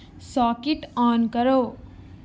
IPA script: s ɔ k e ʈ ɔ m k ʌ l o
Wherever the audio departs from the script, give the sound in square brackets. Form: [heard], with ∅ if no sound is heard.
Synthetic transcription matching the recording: s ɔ k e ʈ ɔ [n] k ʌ [ɾ] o